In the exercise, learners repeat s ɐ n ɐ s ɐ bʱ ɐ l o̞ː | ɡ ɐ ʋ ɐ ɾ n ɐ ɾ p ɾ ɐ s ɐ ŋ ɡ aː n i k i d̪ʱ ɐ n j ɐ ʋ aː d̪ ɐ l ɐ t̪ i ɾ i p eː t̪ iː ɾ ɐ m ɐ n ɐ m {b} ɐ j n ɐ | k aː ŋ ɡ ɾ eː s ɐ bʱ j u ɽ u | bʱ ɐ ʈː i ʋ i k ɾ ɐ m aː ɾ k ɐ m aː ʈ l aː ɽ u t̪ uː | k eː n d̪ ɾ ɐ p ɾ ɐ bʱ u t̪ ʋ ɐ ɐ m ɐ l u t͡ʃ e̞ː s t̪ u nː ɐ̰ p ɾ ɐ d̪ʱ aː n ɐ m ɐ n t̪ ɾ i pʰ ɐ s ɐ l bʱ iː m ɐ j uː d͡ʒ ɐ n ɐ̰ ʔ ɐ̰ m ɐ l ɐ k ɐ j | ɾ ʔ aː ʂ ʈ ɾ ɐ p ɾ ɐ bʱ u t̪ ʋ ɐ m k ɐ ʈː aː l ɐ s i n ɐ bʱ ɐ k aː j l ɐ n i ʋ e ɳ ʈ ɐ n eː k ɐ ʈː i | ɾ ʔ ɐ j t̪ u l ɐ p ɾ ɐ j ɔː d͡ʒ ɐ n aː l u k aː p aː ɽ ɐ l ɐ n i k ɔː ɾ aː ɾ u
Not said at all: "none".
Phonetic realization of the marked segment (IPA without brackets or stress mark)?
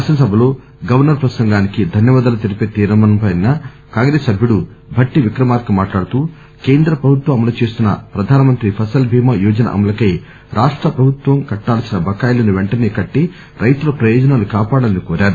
p